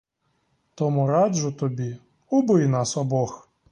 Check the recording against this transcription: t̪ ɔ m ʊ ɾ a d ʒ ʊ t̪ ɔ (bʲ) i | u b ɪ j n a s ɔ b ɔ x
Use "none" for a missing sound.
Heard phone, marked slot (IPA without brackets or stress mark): bʲ